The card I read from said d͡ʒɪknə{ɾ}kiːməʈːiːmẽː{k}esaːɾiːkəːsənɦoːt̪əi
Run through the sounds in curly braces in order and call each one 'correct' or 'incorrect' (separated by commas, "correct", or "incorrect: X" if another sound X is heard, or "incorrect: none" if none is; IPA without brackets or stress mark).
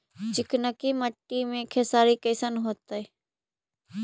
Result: incorrect: none, incorrect: kʰ